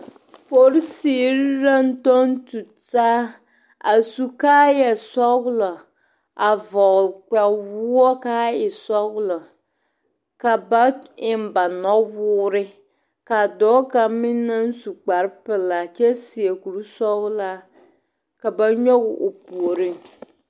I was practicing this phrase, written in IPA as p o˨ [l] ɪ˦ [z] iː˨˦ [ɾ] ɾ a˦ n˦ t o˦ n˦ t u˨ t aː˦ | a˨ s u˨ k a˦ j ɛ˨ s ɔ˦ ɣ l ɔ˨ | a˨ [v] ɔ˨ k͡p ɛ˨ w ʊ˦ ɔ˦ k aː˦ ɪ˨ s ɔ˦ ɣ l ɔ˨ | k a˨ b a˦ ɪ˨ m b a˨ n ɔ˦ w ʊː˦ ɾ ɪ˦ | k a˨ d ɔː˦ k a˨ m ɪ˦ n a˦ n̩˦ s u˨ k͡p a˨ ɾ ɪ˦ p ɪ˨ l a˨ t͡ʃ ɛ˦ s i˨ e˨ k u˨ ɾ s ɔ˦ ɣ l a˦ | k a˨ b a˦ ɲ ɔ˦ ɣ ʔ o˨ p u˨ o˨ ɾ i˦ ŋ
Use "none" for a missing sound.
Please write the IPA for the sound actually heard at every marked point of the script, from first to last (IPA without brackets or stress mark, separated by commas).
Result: ɾ, s, ɾ, v